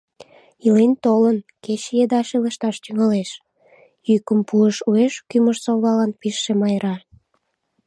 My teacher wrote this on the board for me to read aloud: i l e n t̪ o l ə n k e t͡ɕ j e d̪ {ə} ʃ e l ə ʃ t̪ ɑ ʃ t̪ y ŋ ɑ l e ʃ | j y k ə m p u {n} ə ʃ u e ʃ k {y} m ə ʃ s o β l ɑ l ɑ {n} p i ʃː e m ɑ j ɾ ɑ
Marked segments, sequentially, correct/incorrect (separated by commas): incorrect, incorrect, correct, correct